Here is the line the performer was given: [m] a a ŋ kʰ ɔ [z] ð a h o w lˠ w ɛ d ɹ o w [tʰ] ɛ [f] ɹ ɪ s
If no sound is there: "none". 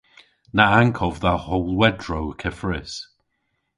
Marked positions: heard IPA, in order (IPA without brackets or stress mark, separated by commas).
n, v, kʰ, f